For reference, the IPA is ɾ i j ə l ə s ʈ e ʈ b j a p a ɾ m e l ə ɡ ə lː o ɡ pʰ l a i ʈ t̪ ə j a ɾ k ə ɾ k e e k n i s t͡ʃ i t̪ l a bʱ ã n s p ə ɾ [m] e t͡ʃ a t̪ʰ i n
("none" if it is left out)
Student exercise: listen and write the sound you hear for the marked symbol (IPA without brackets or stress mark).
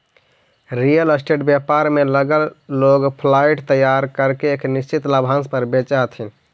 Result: b